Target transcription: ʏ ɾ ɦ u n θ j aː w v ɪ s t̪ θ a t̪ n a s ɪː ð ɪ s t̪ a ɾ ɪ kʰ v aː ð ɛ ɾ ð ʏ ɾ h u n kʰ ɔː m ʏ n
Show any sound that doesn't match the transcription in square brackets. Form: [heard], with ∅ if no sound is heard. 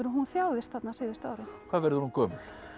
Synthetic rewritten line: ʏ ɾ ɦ u n θ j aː w [ð] ɪ s t̪ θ a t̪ n a s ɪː ð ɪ s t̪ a ɾ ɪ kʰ v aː [v] ɛ ɾ ð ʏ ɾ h u n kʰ ɔː m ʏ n